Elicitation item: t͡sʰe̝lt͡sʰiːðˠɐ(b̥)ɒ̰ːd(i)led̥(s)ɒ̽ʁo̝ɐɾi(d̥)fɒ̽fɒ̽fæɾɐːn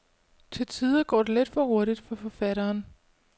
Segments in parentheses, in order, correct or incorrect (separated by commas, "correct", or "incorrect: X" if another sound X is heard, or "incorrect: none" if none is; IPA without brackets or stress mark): incorrect: ɡ̥, incorrect: e, incorrect: f, correct